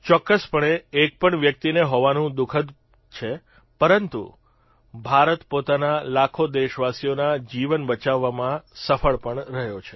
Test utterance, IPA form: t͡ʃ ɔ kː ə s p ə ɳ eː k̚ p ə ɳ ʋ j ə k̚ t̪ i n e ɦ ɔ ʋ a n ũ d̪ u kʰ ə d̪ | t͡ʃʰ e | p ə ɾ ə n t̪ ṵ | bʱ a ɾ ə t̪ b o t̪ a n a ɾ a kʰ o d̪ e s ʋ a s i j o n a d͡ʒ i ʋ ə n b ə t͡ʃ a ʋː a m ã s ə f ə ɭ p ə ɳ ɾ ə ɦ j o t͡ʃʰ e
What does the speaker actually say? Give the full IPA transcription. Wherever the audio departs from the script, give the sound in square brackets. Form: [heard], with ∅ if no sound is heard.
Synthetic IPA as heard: t͡ʃ ɔ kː ə s p ə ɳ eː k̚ p ə ɳ ʋ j ə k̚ t̪ i n e ɦ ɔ ʋ a n ũ d̪ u kʰ ə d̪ | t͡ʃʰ e | p ə ɾ ə n t̪ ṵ | bʱ a ɾ ə t̪ [p] o t̪ a n a [l] a kʰ o d̪ e [ʃ] ʋ a s i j o n a d͡ʒ i ʋ ə n b ə t͡ʃ a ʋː a m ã s ə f ə ɭ p ə ɳ ɾ ə ɦ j o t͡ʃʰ e